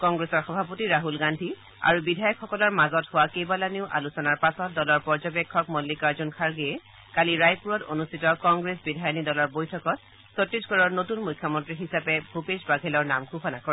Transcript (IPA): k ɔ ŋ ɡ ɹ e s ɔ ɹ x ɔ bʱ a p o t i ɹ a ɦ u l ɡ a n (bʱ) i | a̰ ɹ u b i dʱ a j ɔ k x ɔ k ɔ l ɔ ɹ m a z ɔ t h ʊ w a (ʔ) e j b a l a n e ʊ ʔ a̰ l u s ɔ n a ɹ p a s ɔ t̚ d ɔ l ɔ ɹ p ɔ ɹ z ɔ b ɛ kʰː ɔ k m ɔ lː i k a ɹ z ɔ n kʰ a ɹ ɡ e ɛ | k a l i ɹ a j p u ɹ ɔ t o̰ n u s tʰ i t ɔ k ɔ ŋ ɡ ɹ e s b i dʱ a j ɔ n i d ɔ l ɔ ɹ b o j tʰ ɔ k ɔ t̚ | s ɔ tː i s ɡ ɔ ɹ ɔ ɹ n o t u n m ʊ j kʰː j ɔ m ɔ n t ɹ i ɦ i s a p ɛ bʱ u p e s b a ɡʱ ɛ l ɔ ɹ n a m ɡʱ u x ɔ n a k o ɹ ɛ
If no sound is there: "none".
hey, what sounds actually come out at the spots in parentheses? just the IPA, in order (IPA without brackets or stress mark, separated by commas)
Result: dʱ, k